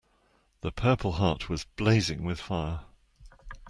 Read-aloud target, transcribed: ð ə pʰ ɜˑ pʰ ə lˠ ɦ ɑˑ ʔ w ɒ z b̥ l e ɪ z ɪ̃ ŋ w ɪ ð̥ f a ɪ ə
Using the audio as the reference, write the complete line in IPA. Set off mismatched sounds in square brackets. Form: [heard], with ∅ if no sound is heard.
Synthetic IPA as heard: ð ə pʰ ɜˑ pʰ ə lˠ ɦ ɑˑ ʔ w ɒ z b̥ l e ɪ z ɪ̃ ŋ w ɪ ð̥ f a ɪ ə

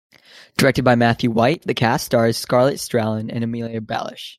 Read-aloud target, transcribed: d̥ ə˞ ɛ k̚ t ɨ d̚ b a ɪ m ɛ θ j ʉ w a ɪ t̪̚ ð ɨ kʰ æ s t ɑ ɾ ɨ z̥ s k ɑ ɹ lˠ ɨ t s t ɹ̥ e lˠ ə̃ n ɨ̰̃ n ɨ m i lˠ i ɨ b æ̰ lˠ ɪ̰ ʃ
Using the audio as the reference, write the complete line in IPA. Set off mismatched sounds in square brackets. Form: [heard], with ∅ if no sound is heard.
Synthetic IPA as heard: d̥ ə˞ ɛ k̚ t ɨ d̚ b a ɪ m [æ] θ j ʉ w a ɪ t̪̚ ð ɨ kʰ æ s t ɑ [ɹ] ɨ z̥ s k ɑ ɹ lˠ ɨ t s t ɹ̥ [æ] lˠ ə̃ n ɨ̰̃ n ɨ m i lˠ i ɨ b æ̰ lˠ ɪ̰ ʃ

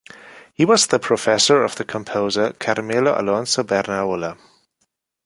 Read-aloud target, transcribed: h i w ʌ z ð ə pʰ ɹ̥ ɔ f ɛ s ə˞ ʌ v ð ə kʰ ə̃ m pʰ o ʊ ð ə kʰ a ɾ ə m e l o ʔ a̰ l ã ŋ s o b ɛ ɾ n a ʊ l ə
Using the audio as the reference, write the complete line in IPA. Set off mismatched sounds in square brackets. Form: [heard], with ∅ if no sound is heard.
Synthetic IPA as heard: h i w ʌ z ð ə pʰ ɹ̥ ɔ f ɛ s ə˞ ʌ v ð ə kʰ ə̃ m pʰ o ʊ [z] ə kʰ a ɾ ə m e l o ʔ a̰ l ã [n] s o b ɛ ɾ n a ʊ l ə

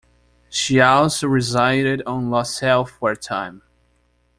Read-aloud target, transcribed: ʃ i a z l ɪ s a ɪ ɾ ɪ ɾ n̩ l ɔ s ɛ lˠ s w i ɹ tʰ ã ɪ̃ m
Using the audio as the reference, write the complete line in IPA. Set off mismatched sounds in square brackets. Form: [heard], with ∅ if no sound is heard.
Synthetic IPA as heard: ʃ i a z [ɹ] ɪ [z] a ɪ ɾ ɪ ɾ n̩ l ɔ s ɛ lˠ [f] w [ɛ] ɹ tʰ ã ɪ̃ m

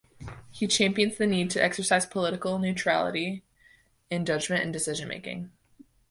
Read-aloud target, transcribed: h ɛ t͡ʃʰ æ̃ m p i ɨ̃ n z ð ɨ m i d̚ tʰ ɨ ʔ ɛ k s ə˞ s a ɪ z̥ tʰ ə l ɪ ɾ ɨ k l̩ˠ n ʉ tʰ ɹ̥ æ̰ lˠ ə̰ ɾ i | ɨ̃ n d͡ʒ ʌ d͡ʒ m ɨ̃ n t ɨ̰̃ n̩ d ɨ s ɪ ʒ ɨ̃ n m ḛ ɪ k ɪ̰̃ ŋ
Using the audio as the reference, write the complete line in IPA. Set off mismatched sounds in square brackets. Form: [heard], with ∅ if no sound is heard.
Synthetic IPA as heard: h [i] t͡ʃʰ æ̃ m p i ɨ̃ n z ð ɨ [n] i d̚ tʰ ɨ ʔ ɛ k s ə˞ s a ɪ z̥ [pʰ] ə l ɪ ɾ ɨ k l̩ˠ n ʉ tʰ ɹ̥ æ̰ lˠ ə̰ ɾ i | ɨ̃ n d͡ʒ ʌ d͡ʒ m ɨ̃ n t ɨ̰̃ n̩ d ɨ s ɪ ʒ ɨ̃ n m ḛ ɪ k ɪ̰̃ ŋ

